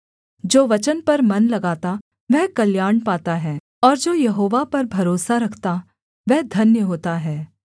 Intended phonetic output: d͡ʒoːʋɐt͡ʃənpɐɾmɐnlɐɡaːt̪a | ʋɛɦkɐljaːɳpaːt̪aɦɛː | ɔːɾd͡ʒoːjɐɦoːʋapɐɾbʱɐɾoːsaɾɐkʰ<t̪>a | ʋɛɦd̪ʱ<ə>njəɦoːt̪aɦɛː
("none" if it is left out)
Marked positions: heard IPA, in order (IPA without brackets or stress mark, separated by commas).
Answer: t̪, ɐ